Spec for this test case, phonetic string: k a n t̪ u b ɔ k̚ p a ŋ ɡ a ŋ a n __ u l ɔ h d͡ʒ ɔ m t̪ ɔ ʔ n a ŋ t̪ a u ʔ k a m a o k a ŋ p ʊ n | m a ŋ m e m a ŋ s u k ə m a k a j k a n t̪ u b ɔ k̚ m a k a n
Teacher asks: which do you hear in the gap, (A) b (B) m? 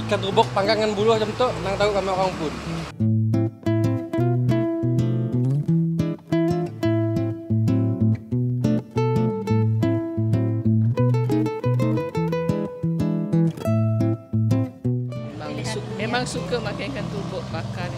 A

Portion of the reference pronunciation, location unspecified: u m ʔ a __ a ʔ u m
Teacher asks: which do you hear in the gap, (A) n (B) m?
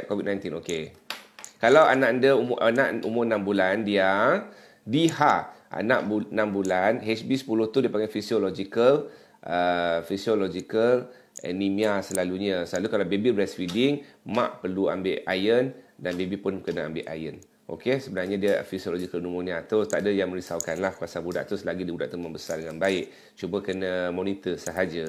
A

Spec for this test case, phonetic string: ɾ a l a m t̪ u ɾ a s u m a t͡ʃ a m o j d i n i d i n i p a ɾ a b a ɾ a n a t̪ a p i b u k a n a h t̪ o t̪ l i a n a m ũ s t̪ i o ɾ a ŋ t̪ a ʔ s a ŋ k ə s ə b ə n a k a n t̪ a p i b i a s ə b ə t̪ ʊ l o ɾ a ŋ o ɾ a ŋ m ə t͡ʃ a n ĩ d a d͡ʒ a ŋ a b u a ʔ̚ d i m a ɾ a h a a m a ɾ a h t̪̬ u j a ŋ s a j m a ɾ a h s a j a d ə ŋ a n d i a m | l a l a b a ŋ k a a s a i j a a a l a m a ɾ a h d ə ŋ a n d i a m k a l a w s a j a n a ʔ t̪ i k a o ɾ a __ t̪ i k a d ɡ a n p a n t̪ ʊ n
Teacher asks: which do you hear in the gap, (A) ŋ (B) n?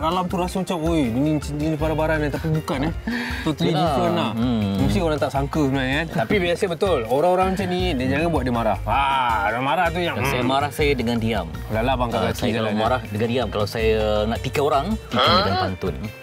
A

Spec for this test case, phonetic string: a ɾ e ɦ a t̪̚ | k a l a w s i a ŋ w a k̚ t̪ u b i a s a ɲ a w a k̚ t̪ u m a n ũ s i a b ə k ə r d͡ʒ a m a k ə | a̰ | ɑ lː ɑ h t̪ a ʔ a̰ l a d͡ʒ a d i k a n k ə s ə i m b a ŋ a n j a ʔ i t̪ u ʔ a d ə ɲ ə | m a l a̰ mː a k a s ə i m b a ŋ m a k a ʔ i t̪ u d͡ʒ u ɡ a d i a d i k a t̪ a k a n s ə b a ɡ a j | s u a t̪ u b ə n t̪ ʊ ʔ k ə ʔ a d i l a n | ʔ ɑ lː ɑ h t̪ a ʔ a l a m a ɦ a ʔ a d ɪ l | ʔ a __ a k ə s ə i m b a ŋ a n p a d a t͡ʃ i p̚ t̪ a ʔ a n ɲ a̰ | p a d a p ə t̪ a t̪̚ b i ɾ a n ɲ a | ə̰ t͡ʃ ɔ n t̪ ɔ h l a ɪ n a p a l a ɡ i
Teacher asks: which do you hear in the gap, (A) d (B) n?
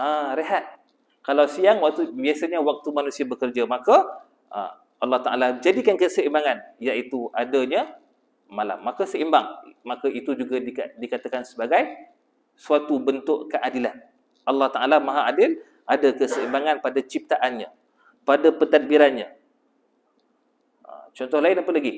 A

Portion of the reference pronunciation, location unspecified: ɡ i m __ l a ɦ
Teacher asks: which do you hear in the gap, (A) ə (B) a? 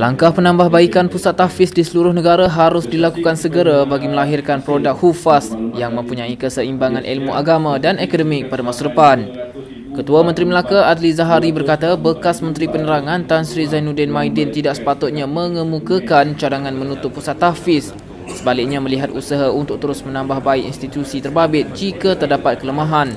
A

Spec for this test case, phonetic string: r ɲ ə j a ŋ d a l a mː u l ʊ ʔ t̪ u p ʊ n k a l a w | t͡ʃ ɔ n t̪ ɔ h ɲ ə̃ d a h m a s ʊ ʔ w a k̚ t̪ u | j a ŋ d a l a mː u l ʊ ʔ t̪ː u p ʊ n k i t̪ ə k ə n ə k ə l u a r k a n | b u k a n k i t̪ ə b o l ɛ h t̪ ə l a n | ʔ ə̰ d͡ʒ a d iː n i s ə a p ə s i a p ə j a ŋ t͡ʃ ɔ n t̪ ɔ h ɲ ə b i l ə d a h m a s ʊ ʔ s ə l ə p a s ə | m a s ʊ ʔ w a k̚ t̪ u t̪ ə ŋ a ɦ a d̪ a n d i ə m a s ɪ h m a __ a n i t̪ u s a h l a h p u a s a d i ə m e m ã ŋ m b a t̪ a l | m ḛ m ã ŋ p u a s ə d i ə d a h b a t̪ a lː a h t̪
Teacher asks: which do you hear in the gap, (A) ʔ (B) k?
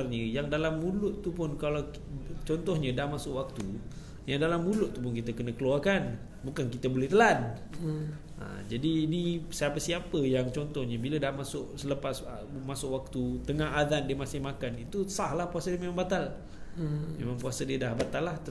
B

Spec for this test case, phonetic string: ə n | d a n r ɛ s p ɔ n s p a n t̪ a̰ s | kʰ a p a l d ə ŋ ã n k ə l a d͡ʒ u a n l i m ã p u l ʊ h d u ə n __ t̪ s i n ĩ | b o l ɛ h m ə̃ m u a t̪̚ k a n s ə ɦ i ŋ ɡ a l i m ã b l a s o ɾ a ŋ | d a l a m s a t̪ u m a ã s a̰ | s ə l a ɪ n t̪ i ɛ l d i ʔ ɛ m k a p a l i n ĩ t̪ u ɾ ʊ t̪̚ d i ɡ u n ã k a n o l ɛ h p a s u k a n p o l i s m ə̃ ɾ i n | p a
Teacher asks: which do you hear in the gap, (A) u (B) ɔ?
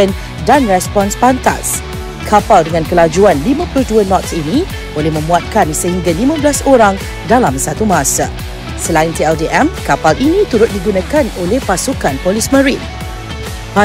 B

